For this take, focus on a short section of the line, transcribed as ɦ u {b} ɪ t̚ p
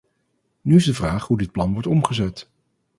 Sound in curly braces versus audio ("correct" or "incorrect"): incorrect